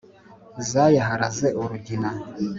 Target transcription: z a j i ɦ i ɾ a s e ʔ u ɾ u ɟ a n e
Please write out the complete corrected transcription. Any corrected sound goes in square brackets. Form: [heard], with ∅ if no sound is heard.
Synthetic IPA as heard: z a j [a] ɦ [a] ɾ a [z] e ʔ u ɾ u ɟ [i] n [a]

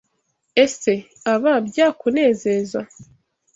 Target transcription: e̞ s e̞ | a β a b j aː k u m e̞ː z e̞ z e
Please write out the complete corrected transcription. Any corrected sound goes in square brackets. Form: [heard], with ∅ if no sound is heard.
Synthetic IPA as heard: e̞ s e̞ | a β a b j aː k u [n] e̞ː z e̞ z [a]

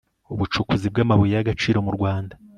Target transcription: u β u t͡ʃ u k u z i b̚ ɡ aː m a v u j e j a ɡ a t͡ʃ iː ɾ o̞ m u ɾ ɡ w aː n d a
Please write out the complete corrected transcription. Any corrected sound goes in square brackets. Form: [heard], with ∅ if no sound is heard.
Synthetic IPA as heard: u β u t͡ʃ u k u z i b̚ ɡ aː m a [β] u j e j a ɡ a t͡ʃ iː ɾ o̞ m u ɾ ɡ w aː n d a

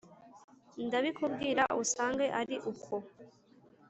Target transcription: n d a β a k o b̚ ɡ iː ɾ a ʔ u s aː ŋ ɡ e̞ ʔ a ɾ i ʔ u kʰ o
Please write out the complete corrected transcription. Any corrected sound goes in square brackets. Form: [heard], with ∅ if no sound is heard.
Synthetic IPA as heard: n d a β [i] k [u] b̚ ɡ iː ɾ a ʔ u s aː ŋ ɡ e̞ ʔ a ɾ i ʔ u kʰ o

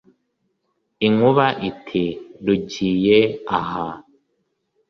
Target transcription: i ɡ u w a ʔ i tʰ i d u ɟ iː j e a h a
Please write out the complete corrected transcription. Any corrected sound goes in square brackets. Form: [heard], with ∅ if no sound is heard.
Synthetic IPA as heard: i [ŋ] u [β] a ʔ i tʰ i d u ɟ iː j e a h a

